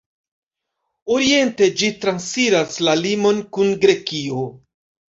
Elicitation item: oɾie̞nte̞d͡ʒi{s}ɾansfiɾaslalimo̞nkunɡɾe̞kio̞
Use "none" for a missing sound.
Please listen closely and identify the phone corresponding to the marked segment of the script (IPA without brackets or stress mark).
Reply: t